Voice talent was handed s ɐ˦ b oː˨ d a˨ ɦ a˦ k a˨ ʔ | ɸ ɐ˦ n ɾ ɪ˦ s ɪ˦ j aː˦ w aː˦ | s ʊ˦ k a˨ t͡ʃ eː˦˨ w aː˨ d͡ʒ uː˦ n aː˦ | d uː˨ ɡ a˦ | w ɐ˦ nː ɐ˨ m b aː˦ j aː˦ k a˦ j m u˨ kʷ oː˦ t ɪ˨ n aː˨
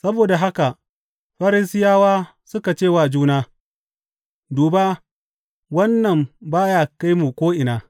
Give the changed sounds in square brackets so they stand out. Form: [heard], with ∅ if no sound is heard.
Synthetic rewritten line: s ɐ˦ b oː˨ d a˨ ɦ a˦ k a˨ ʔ | ɸ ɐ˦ [∅] ɾ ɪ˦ s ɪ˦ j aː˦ w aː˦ | s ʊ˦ k a˨ t͡ʃ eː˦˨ w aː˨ d͡ʒ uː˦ n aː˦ | d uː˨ [b] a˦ | w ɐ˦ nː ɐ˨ m b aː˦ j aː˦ k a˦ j m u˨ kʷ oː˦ [ʔ] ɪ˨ n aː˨